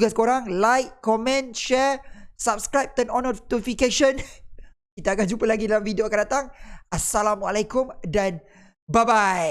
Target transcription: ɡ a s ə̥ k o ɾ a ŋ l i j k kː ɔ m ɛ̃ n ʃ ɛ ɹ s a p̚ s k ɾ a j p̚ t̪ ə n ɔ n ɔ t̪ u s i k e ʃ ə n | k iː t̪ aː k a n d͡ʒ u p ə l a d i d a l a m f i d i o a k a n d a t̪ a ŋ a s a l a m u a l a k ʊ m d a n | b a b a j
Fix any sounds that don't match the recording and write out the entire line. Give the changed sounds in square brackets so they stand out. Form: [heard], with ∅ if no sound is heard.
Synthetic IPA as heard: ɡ a s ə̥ k o ɾ a ŋ l [a] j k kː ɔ m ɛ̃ n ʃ ɛ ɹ s a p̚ s k ɾ a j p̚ t̪ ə n ɔ n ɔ t̪ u [f] i k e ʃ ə n | k [i] t̪ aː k a n d͡ʒ u p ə l a [ɡ] i d a l a m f i d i o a k a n d a t̪ a ŋ a s a l a m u a l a k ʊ m d a n | b a b a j